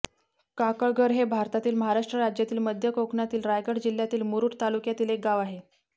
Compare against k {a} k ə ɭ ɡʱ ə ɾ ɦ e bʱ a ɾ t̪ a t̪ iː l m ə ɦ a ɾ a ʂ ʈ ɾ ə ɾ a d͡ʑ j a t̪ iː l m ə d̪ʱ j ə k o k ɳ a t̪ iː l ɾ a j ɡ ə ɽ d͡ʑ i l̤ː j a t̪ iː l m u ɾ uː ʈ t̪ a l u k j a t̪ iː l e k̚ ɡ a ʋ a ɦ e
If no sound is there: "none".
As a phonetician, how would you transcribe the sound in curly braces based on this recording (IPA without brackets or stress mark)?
a